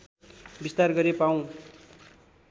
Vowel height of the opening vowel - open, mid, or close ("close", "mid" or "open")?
close